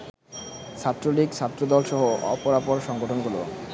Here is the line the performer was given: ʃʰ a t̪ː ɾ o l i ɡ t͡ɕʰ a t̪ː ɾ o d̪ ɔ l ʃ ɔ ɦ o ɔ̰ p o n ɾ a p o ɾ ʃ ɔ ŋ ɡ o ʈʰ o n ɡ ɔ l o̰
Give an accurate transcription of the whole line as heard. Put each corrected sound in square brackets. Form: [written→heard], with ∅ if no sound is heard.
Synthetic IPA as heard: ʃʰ a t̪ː ɾ o l i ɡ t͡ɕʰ a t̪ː ɾ o d̪ ɔ l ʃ ɔ ɦ o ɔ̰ p o [n→∅] ɾ a p o ɾ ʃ ɔ ŋ ɡ o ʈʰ o n ɡ [ɔ→u] l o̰